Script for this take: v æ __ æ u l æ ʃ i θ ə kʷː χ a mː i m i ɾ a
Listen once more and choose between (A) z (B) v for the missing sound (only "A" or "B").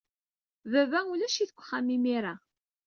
B